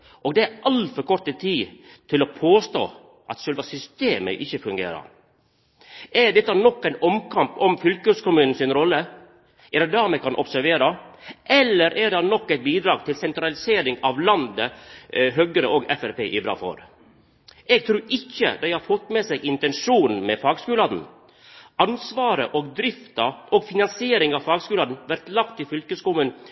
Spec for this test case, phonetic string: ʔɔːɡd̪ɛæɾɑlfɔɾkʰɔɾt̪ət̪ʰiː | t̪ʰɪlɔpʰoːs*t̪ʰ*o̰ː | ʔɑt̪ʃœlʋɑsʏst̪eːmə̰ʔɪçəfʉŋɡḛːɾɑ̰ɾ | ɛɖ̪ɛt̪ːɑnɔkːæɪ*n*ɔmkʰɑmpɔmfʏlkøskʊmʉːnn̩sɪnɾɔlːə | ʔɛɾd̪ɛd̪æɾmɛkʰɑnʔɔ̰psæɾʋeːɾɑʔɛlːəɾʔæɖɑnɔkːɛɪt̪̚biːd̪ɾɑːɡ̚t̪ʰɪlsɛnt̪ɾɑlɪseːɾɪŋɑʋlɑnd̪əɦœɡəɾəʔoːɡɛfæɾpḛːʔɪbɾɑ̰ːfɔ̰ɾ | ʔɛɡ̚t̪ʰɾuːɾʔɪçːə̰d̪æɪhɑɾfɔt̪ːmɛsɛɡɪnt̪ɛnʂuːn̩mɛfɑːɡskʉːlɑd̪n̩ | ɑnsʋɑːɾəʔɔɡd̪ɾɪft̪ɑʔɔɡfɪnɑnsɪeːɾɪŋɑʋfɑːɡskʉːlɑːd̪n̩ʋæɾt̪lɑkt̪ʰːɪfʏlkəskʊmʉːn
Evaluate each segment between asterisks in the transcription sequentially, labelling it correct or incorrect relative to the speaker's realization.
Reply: incorrect, correct

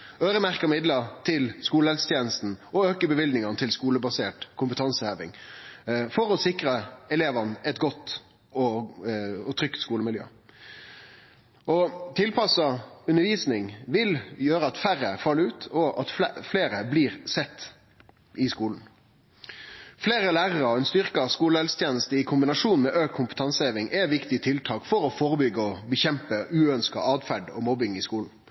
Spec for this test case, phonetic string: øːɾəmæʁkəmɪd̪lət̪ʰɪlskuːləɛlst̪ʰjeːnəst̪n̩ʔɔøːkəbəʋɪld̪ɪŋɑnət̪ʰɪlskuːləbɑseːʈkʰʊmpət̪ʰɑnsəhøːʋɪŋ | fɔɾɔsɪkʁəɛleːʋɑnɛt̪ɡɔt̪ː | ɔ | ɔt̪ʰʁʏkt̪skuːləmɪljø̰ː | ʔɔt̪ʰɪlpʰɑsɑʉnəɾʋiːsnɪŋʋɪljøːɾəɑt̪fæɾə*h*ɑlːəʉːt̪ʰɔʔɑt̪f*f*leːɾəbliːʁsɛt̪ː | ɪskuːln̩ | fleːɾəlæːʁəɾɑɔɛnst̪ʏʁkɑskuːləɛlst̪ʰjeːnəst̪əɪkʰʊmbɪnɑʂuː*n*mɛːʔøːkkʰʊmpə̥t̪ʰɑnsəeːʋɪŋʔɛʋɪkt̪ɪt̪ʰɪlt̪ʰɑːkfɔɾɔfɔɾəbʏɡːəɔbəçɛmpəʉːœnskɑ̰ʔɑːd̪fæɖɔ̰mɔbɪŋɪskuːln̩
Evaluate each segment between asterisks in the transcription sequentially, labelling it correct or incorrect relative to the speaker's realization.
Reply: incorrect, correct, correct

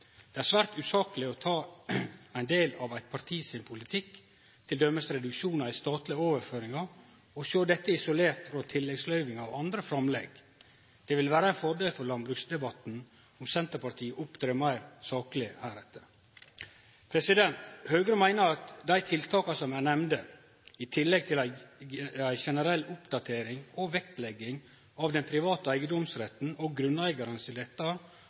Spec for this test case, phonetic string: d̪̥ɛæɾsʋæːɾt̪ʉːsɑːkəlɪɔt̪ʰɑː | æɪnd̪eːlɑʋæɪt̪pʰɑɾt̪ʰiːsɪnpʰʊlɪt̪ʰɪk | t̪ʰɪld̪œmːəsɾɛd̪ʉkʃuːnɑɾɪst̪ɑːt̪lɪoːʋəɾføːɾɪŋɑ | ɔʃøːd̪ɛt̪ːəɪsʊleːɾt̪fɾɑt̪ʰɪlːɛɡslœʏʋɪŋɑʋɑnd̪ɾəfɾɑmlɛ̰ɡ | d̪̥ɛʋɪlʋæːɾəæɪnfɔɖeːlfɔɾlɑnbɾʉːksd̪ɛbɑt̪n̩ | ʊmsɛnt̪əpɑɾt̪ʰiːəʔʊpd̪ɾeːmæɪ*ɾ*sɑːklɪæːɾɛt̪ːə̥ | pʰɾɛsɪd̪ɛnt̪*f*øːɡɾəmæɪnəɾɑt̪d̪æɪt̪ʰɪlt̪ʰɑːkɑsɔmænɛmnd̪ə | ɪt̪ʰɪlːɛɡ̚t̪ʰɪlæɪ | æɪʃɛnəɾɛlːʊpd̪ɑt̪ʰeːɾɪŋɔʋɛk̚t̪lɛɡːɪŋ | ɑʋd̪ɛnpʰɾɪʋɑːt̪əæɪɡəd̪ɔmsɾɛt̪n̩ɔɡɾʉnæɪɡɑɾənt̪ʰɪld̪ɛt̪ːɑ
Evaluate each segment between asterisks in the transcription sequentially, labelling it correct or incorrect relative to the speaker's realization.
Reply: correct, incorrect

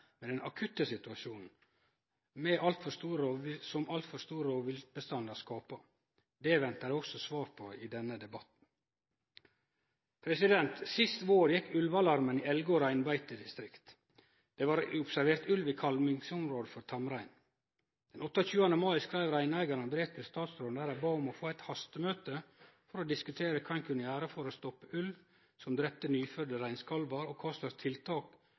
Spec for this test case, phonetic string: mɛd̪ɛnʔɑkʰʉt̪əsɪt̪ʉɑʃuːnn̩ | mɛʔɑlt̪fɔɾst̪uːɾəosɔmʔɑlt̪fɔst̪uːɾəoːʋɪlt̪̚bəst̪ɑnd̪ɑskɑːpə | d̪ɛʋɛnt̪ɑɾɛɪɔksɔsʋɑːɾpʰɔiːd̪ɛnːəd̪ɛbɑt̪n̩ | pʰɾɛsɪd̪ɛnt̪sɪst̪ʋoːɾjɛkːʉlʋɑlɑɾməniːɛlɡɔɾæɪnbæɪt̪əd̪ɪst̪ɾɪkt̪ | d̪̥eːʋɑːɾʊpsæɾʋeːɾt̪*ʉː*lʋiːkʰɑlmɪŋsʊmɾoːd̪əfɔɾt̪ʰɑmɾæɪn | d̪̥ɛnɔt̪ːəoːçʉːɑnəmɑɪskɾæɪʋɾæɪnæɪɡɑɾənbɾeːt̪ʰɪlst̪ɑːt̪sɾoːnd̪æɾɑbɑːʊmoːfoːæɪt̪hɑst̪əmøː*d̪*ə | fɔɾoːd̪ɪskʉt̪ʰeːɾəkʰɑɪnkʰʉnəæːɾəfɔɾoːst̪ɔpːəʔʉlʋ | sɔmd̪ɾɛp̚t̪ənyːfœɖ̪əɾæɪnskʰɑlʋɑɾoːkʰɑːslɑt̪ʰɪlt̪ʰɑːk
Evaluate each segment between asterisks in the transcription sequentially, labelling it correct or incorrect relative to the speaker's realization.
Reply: incorrect, incorrect

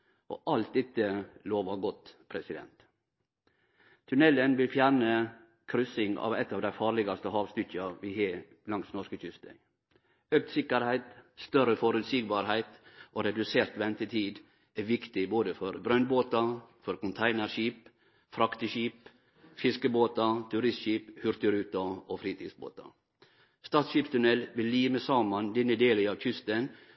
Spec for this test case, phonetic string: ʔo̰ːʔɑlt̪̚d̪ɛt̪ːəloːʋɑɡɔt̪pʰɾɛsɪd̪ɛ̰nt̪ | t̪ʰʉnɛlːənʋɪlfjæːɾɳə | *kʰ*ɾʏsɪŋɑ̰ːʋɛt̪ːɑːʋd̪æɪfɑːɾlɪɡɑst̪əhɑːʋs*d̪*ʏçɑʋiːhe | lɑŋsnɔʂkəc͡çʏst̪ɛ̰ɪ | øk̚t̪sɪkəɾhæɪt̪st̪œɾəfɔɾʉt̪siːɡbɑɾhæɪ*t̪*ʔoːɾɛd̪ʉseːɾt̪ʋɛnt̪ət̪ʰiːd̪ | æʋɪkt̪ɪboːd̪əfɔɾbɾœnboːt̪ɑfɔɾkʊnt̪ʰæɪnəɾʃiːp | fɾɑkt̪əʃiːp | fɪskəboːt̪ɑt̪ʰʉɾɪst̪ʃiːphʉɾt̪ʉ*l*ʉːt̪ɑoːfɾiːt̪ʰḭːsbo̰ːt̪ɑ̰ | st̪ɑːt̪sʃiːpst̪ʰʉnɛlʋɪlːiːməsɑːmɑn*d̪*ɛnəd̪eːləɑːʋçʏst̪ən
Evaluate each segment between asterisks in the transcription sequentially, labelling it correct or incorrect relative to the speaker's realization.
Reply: correct, incorrect, correct, incorrect, correct

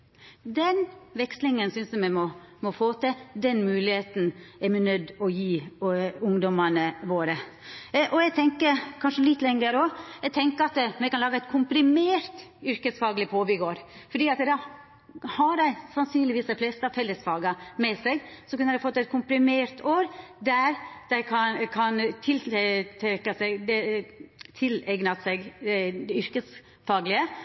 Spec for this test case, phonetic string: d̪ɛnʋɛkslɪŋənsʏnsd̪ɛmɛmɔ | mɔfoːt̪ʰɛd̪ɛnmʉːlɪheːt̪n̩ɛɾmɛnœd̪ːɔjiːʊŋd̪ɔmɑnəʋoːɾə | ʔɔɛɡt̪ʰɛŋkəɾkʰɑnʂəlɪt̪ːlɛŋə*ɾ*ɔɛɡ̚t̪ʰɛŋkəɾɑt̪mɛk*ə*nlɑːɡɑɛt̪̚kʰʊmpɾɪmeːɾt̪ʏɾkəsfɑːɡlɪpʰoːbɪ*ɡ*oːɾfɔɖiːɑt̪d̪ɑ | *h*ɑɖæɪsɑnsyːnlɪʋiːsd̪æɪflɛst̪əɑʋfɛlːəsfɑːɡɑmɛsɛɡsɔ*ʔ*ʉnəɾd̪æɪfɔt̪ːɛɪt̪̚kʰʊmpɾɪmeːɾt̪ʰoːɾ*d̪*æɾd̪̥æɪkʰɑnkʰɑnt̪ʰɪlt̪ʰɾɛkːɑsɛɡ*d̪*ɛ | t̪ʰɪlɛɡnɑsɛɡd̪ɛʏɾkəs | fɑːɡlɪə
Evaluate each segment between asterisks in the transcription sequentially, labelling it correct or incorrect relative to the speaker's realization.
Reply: correct, incorrect, correct, correct, incorrect, correct, correct

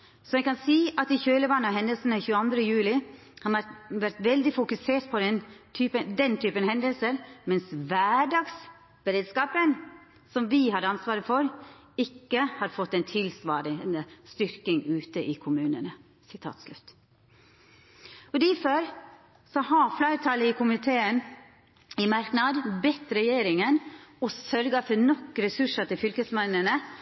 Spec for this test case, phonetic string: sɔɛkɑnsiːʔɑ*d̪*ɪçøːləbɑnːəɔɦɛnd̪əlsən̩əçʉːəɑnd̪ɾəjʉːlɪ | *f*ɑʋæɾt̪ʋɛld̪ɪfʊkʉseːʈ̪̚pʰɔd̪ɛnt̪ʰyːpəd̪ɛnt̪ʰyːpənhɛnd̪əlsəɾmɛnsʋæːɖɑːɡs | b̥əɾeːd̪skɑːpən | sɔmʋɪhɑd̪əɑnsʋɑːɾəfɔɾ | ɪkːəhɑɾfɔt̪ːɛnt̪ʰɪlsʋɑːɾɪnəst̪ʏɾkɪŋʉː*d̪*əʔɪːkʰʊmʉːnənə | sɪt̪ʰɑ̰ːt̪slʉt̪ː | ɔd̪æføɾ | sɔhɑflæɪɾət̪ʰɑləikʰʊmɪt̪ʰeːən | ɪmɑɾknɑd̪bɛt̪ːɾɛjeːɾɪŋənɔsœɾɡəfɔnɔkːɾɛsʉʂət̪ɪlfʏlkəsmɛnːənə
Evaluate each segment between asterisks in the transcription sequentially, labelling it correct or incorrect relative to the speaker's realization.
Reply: incorrect, incorrect, incorrect

